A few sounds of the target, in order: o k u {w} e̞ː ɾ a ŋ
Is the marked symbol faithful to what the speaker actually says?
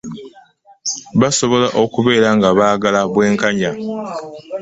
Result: no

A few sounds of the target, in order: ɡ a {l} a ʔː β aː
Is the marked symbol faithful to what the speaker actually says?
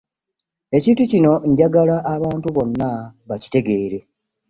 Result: yes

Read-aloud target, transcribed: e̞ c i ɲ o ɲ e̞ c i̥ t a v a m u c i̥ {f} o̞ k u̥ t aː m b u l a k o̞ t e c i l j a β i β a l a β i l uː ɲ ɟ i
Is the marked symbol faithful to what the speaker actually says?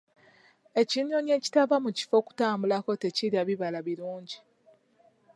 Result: yes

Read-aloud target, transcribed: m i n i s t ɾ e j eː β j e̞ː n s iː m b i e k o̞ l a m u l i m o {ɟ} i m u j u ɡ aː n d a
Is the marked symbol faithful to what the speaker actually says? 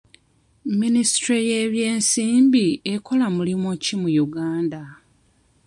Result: no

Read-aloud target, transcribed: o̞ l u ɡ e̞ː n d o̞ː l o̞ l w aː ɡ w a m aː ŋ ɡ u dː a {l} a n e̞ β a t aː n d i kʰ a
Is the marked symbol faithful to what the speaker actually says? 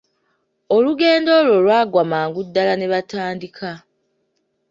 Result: yes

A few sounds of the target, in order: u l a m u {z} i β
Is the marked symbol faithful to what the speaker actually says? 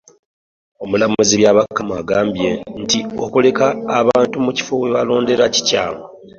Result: yes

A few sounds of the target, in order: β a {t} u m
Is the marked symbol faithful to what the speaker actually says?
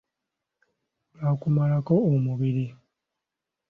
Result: no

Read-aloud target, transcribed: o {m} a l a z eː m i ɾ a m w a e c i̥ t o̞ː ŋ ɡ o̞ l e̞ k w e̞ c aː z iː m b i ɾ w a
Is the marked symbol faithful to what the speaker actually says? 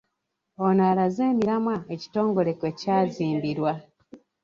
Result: no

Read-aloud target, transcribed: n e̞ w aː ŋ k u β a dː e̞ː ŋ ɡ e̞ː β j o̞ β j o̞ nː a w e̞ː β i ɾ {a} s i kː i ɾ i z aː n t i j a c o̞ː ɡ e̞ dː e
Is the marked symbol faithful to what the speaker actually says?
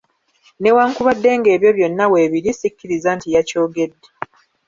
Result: no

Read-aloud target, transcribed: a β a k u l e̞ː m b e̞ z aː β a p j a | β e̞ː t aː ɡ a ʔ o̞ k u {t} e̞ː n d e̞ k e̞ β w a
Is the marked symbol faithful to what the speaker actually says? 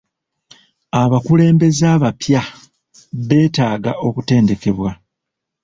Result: yes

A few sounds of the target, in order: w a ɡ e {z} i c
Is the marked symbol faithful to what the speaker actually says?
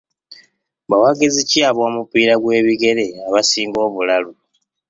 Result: yes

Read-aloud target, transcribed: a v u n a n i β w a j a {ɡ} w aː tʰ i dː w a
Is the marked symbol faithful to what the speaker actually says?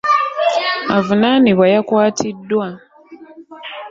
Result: no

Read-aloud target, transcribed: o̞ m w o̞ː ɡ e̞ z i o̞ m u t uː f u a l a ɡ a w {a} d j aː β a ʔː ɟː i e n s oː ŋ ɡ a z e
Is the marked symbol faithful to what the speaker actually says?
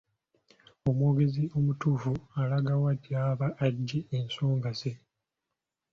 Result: yes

